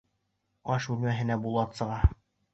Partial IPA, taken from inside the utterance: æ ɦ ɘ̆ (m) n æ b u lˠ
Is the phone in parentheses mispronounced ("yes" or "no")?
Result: yes